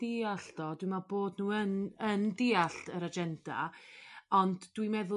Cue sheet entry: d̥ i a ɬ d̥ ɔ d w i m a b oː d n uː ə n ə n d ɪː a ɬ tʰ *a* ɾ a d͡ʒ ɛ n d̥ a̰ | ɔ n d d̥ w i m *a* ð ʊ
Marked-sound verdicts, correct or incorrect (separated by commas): incorrect, incorrect